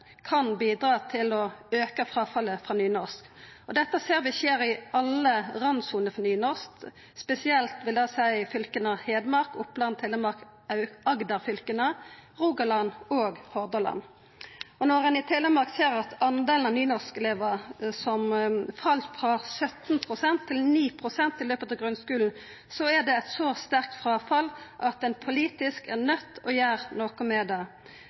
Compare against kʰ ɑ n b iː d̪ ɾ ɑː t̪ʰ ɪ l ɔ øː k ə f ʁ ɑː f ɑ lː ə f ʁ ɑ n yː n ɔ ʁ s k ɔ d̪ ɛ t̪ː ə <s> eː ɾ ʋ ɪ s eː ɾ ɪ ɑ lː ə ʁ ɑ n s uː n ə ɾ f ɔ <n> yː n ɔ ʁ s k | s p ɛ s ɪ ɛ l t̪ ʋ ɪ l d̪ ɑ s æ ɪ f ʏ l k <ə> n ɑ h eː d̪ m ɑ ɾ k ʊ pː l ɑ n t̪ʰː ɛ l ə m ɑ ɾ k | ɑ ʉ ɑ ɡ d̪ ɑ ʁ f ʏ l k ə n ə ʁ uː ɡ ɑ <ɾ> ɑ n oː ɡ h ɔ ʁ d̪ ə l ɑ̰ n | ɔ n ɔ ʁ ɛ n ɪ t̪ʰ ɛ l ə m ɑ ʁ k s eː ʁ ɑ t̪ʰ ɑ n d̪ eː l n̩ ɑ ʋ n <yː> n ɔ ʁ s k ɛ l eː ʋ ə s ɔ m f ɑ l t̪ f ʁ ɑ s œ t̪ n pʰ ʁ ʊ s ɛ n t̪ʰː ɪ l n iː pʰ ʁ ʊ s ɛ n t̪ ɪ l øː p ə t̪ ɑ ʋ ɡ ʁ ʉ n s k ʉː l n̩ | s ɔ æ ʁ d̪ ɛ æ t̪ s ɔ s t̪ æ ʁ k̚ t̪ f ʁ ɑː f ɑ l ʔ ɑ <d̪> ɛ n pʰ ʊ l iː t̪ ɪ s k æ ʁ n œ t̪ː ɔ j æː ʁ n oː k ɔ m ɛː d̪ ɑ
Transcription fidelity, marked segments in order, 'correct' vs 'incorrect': correct, correct, correct, incorrect: l, correct, incorrect: t̪

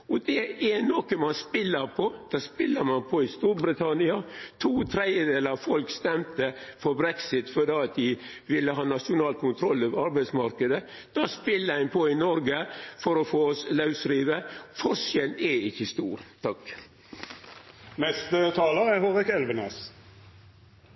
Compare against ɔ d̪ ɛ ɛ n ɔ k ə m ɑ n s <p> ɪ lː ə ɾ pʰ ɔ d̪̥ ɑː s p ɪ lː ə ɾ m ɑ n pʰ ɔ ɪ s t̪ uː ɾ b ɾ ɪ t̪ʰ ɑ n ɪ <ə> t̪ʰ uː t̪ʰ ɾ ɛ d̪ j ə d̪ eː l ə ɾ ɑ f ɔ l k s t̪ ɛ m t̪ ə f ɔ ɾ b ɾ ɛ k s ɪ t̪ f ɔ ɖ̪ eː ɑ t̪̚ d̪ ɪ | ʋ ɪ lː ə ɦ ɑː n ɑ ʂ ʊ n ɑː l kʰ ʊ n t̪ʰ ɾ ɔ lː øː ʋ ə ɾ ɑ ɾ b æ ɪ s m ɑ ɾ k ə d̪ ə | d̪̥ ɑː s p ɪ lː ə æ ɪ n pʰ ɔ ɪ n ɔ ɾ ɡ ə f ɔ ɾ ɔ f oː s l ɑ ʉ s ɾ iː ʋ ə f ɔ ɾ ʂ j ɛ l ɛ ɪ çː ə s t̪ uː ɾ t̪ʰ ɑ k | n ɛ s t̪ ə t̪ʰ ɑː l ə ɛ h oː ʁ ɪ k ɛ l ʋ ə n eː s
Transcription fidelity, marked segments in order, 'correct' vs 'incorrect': correct, incorrect: ɑ

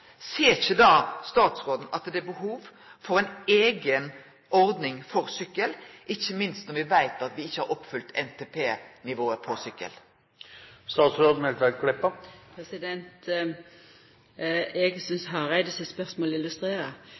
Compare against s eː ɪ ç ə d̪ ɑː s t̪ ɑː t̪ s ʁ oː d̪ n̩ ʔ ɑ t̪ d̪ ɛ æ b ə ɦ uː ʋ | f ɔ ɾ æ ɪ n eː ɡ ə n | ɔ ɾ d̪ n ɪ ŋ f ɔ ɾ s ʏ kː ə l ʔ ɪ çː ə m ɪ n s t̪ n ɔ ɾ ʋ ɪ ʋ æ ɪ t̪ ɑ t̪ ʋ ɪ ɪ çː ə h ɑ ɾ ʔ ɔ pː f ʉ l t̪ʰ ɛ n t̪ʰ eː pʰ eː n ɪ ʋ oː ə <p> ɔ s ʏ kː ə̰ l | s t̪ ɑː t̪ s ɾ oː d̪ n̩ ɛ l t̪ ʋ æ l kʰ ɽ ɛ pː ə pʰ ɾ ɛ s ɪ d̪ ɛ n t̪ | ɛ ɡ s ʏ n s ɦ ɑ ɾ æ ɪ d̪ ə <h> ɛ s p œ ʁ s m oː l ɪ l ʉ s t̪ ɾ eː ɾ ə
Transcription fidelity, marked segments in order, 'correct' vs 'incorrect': incorrect: pʰ, incorrect: s

